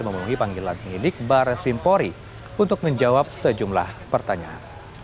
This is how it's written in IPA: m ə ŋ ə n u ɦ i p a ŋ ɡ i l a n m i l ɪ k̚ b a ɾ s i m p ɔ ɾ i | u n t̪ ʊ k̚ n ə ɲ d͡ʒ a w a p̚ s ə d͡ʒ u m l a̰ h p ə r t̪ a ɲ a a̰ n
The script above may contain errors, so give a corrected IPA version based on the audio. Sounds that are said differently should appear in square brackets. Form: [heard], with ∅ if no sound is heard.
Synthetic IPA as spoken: m ə [m] ə n u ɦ i p a ŋ ɡ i l a n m i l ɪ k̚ b a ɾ s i m p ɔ ɾ i | u n t̪ ʊ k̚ [m] ə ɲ d͡ʒ a w a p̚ s ə d͡ʒ u m l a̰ h p ə r t̪ a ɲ a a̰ n